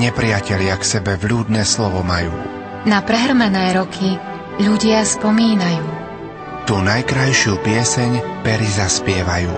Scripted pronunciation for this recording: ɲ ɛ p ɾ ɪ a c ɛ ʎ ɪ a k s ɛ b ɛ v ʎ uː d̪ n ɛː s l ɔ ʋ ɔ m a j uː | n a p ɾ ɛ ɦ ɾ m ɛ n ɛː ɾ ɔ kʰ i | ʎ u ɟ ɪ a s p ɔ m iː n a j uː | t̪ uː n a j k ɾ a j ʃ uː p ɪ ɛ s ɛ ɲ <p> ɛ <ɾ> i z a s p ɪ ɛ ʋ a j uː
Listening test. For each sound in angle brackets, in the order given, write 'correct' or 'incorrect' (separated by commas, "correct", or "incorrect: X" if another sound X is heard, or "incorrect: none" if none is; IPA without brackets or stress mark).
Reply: correct, correct